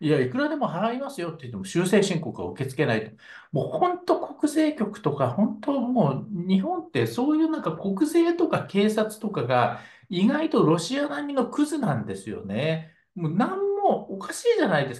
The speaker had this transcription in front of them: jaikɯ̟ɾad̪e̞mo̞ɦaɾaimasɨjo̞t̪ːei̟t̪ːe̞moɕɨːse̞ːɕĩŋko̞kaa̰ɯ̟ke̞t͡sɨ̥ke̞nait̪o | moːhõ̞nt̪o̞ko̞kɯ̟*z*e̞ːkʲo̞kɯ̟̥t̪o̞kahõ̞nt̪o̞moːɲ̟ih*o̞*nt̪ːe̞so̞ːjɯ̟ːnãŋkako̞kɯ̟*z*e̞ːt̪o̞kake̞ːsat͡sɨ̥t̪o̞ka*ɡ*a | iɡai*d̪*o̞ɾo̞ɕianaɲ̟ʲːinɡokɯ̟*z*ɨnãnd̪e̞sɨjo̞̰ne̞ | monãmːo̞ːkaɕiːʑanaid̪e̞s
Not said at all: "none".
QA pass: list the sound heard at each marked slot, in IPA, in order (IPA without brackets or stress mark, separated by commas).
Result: z, õ̞, z, ɡ, t̪, z